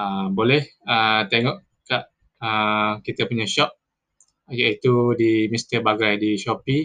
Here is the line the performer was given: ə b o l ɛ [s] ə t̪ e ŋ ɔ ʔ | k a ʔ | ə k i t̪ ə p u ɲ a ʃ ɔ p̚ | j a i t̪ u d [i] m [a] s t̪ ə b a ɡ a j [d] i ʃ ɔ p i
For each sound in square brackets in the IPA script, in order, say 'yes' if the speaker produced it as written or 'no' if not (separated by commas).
no, yes, no, yes